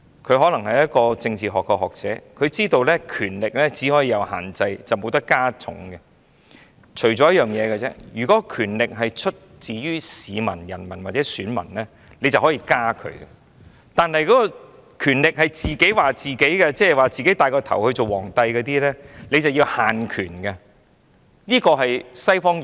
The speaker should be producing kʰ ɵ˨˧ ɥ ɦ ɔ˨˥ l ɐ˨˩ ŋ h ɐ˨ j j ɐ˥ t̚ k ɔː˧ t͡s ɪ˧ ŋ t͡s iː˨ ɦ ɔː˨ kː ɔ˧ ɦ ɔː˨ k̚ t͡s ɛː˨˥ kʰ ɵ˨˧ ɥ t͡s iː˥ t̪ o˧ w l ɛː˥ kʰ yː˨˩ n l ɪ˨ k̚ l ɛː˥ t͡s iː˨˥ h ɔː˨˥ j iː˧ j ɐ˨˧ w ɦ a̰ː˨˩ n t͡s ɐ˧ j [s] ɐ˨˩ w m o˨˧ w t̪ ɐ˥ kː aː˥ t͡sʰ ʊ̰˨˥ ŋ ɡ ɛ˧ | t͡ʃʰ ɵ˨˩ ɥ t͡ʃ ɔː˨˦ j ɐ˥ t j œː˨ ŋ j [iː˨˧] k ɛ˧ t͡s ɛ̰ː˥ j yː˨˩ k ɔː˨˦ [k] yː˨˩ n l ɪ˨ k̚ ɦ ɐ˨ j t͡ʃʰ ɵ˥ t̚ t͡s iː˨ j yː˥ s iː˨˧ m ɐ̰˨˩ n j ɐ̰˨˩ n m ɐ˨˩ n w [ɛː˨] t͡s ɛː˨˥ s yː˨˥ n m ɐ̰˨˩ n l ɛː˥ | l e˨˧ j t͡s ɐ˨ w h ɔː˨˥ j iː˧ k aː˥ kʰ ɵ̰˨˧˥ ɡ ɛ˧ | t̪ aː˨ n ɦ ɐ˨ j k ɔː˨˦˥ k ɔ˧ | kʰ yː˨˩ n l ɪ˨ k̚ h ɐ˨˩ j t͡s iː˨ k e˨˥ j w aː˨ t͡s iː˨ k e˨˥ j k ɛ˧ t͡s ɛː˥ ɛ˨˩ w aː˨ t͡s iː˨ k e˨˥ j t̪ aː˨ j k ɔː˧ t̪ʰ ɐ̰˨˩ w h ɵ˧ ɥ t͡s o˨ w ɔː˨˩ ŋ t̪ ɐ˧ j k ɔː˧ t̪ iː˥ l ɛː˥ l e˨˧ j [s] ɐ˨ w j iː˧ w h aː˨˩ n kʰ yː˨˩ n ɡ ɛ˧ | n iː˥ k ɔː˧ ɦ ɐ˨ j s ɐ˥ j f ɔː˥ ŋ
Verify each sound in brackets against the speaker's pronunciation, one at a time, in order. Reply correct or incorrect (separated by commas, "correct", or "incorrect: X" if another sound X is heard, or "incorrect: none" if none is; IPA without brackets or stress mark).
incorrect: t͡s, incorrect: ɛː˨˧, incorrect: kʰ, incorrect: aː˨, incorrect: t͡s